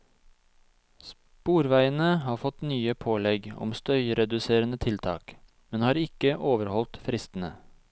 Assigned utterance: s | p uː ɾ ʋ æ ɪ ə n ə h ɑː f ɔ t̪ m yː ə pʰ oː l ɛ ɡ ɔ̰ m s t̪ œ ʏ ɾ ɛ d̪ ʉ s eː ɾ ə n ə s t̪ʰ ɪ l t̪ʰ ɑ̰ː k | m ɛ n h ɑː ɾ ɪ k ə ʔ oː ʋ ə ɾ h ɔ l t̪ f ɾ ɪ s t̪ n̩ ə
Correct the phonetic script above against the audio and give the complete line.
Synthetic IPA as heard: s | p uː ɾ ʋ æ ɪ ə n ə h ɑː f ɔ t̪ n yː ə pʰ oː l ɛ ɡ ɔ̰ m s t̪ œ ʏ ɾ ɛ d̪ ʉ s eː ɾ ə n ə t̪ʰ ɪ l t̪ʰ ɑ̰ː k | m ɛ n h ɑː ɾ ɪ k ə ʔ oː ʋ ə ɾ h ɔ l t̪ f ɾ ɪ s t̪ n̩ ə